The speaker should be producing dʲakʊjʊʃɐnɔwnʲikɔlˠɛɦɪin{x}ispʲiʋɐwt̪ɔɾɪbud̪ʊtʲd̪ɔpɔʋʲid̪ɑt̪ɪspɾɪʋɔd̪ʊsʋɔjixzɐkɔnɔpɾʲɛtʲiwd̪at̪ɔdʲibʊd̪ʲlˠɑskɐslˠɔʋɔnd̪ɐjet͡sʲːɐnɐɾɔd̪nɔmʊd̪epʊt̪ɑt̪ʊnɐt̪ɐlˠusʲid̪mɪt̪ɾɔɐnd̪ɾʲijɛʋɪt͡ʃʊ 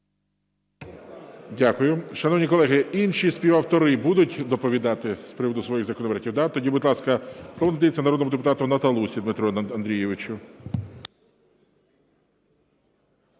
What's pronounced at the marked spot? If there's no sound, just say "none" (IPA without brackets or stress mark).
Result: ʃ